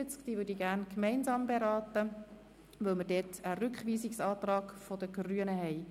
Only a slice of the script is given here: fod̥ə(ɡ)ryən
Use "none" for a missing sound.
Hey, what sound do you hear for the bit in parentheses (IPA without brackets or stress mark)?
ɡ